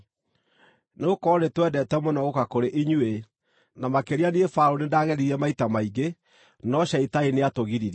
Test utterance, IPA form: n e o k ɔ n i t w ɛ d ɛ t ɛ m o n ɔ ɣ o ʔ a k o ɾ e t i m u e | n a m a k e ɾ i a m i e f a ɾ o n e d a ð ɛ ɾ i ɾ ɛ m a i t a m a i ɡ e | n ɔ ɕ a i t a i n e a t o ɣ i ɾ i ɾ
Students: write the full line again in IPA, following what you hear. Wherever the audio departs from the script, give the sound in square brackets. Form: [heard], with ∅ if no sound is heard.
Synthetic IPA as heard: n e o k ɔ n [e] t w ɛ d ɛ t ɛ m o n ɔ ɣ o [k] a k o ɾ e [ʔ] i [ɲ] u e | n a m a k e ɾ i a [n] i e f a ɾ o n e d a [ɣ] ɛ ɾ i ɾ ɛ m a i t a m a i ɡ e | n ɔ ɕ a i t a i n e a t o ɣ i ɾ i ɾ